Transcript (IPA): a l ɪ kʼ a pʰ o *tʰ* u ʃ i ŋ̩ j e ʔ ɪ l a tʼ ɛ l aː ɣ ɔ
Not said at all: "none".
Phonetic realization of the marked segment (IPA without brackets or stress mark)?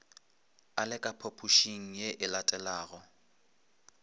pʰ